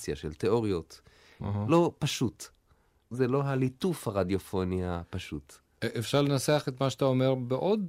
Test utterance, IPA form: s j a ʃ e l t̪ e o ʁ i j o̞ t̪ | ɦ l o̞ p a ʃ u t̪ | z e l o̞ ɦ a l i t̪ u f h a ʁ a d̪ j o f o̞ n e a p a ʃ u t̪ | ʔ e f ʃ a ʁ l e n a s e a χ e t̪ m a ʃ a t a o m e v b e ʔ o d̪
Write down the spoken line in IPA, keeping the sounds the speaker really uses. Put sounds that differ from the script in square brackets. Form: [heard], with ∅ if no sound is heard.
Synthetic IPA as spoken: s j a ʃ e l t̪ e o ʁ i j o̞ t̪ | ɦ l o̞ p a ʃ u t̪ | z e l o̞ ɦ a l i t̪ u f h a ʁ a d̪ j o f o̞ n [i] a p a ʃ u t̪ | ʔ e f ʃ a ʁ l e n a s e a χ e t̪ m a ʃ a t a o m e [ʁ] b e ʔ o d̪